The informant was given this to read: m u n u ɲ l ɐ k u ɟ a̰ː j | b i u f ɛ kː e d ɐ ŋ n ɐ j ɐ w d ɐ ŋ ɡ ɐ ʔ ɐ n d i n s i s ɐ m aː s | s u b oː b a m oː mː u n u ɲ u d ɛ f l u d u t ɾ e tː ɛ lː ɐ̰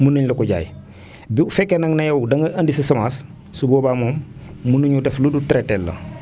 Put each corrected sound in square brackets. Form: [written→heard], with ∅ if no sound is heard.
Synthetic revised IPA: m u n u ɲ l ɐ k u ɟ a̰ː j | b i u f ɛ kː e [d→n] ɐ ŋ n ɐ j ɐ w d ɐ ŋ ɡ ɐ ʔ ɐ n d i [n→∅] s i s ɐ m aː s | s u b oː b a m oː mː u n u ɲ u d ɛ f l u d u t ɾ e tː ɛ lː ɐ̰